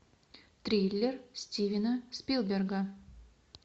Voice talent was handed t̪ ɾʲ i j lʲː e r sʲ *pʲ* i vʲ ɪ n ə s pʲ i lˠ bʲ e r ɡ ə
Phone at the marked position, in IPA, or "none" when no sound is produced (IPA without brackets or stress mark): tʲ